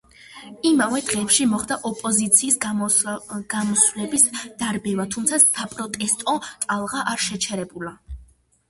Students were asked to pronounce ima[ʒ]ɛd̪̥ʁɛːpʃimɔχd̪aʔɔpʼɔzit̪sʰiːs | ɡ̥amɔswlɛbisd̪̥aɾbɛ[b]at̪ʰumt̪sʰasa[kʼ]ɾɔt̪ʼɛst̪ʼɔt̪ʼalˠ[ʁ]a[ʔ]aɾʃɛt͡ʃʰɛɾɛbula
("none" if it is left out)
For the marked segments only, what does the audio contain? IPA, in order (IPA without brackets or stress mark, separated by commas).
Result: v, v, pʼ, ʁ, ʔ